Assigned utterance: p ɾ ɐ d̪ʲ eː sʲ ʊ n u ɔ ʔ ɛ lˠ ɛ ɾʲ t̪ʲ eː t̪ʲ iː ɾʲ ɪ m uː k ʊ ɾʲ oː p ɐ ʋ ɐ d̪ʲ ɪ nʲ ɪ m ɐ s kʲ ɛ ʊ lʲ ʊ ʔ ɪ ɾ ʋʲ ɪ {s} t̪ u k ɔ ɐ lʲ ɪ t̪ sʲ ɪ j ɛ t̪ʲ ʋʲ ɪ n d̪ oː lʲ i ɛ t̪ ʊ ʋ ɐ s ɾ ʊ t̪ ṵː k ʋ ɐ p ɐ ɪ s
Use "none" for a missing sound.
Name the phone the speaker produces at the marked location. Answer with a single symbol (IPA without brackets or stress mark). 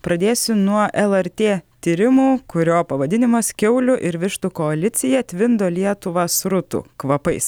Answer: ʃ